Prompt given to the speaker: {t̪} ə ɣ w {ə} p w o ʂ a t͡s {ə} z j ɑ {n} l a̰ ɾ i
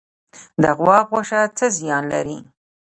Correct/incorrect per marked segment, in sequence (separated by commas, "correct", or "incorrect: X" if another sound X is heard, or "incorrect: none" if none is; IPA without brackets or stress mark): incorrect: d̪, incorrect: ɑ, correct, correct